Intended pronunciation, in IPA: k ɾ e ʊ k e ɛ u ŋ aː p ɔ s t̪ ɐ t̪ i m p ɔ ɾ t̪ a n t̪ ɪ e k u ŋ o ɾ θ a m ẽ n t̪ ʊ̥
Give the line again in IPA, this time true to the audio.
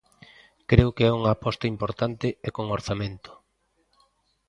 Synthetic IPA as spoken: k ɾ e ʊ k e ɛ u ŋ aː p ɔ s t̪ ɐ i m p o ɾ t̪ a n t̪ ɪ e k o ŋ o ɾ θ a m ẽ n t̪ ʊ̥